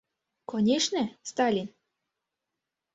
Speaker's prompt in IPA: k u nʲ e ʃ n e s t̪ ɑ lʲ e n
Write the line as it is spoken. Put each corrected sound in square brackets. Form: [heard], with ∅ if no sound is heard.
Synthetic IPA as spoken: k [o] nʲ e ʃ n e s t̪ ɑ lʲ [i] n